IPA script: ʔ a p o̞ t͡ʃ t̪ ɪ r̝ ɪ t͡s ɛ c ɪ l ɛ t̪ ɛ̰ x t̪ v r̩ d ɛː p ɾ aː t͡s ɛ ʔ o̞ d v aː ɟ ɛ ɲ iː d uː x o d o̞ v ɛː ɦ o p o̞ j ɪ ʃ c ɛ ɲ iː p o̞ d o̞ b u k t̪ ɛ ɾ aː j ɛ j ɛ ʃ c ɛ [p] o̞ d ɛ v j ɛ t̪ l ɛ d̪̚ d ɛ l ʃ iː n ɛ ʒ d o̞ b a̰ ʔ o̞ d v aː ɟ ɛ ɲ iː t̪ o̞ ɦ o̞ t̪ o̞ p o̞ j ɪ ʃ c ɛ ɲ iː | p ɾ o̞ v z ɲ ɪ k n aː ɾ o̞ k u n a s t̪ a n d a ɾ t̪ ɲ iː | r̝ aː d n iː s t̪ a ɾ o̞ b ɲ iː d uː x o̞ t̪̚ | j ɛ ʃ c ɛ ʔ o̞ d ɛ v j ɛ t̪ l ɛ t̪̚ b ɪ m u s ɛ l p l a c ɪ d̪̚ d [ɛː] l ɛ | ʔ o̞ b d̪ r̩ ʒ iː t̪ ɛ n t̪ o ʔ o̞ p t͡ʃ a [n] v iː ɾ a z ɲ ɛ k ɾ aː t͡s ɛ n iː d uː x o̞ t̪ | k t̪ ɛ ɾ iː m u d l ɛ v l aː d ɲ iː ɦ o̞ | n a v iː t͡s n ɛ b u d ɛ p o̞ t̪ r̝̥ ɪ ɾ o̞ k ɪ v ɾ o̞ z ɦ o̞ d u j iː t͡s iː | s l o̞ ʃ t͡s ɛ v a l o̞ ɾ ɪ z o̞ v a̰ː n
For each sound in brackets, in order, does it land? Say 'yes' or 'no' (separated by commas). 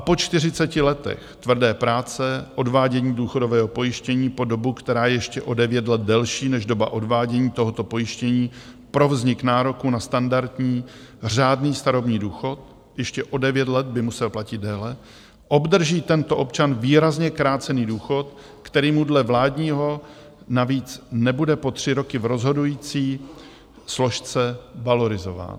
no, yes, yes